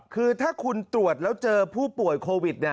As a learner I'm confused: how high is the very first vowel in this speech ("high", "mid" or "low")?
high